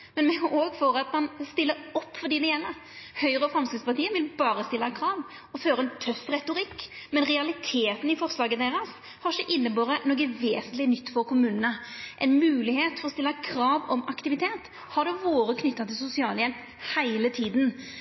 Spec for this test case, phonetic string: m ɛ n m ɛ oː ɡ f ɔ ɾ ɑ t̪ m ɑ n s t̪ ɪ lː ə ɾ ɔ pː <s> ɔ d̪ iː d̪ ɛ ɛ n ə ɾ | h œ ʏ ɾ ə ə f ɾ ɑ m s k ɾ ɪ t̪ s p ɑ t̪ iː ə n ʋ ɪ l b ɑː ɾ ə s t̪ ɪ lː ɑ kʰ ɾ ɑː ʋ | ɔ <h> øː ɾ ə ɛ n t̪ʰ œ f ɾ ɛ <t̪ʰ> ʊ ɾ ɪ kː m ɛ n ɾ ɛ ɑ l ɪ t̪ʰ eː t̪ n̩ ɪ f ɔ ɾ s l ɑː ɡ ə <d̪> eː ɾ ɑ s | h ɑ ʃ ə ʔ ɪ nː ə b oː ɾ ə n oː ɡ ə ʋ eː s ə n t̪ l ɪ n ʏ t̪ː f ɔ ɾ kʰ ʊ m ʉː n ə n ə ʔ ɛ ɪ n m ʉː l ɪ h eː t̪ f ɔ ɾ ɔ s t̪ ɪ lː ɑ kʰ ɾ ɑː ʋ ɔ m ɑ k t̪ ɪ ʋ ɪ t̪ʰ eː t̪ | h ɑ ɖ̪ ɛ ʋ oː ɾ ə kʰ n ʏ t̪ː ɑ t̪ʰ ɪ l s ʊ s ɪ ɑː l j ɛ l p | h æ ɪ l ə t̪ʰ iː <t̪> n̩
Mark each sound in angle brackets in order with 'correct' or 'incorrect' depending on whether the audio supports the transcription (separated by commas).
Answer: incorrect, incorrect, incorrect, correct, incorrect